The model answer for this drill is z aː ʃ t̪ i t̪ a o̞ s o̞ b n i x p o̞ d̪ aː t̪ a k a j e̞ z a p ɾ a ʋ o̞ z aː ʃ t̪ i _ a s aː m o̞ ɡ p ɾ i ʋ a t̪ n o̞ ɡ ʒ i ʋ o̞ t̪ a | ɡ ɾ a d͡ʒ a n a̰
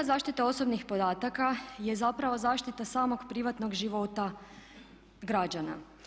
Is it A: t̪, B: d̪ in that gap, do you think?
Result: A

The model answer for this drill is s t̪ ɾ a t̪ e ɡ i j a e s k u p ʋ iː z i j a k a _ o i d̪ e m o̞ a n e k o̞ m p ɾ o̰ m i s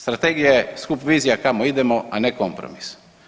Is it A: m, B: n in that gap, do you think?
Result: A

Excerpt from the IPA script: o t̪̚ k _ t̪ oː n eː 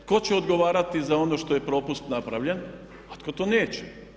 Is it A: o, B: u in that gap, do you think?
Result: A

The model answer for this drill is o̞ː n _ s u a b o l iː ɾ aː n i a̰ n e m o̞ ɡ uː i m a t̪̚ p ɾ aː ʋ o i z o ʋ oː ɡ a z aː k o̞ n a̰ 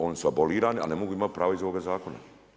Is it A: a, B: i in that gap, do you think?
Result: B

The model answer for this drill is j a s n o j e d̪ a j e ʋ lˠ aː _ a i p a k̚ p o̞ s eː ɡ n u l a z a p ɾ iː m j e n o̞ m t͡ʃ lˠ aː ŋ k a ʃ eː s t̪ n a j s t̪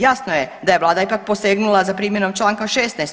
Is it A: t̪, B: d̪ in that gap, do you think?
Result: B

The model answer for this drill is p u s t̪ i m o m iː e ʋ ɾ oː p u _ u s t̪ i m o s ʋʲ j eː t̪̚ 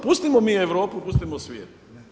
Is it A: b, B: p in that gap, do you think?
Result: B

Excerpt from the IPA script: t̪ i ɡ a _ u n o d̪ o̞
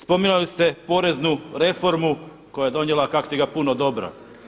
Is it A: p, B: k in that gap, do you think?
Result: A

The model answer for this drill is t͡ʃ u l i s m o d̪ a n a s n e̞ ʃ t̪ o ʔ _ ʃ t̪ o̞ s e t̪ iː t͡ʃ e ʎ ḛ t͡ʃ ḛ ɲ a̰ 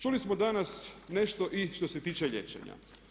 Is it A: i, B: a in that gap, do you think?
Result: A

